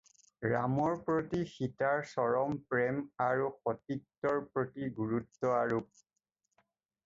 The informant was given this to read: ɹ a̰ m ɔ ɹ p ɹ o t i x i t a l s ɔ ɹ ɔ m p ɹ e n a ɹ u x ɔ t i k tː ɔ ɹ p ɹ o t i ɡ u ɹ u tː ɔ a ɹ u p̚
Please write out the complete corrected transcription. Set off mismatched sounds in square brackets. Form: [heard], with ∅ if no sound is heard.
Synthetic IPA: ɹ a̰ m ɔ ɹ p ɹ o t i x i t a [ɹ] s ɔ ɹ ɔ m p ɹ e [m] a ɹ u x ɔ t i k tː ɔ ɹ p ɹ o t i ɡ u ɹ u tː ɔ a ɹ u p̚